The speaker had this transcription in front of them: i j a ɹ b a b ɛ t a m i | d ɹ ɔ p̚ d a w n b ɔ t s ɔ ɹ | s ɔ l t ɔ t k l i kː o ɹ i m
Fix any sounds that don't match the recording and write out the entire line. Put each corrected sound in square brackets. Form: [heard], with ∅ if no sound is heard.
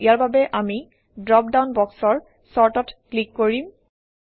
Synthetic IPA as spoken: i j a ɹ b a b ɛ [ʔ] a m i | d ɹ ɔ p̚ d a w n b ɔ [k] s ɔ ɹ | s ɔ [ɹ] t ɔ t k l i kː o ɹ i m